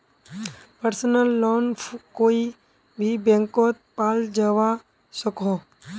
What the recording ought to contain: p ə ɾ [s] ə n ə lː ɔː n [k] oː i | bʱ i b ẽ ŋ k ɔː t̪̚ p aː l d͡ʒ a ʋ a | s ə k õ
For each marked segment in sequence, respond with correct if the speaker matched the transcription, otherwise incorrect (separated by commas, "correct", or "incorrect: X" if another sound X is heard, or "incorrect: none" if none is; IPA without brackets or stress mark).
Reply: correct, correct